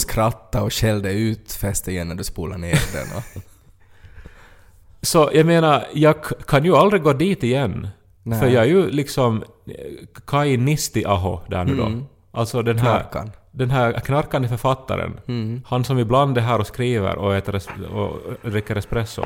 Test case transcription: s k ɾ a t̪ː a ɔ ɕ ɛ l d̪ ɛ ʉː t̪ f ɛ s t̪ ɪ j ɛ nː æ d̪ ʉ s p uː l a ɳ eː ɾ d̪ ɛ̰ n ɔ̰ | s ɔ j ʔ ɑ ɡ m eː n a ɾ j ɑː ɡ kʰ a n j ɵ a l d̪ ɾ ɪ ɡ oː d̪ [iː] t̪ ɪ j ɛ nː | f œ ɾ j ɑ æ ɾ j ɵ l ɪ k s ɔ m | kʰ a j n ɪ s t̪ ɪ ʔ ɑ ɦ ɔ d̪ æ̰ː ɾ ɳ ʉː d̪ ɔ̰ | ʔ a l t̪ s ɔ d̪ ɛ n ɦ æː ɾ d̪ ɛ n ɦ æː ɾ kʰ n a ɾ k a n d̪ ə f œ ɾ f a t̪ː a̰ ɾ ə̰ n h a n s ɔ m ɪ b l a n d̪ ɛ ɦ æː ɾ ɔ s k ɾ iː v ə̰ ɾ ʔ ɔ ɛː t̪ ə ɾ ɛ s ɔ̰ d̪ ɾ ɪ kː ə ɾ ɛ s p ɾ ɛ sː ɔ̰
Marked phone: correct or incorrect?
correct